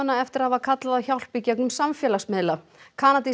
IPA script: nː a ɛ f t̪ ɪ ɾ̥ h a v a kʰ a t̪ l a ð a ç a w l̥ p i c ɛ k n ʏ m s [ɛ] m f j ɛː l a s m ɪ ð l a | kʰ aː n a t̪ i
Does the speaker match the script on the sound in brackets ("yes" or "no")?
no